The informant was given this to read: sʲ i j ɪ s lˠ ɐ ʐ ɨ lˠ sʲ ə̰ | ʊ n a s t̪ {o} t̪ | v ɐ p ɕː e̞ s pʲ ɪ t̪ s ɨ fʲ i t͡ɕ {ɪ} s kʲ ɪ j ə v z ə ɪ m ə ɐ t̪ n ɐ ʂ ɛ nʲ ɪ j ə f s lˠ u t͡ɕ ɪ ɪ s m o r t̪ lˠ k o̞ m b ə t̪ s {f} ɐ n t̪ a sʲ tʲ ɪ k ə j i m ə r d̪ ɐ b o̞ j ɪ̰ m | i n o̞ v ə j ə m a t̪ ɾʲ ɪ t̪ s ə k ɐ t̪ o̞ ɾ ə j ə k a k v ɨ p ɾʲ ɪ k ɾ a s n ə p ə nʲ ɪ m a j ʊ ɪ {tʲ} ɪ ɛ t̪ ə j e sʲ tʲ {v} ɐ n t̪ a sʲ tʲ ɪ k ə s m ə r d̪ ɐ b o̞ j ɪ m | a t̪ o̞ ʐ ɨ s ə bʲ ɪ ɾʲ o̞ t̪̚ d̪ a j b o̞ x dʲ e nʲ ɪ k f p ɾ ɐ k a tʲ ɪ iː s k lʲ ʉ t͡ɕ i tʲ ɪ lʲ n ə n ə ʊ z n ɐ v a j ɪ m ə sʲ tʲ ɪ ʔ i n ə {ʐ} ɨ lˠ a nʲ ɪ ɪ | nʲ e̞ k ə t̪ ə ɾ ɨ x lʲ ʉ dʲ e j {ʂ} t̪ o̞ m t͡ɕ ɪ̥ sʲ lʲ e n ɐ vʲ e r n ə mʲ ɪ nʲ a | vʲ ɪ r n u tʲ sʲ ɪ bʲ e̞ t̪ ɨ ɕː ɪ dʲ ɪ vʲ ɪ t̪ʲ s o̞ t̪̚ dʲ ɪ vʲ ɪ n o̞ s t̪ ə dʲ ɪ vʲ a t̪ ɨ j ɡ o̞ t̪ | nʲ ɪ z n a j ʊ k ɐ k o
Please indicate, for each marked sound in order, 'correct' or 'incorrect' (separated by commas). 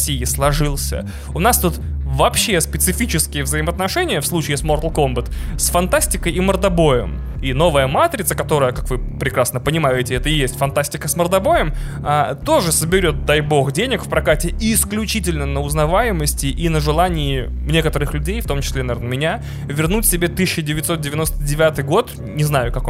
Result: incorrect, correct, correct, correct, incorrect, correct, incorrect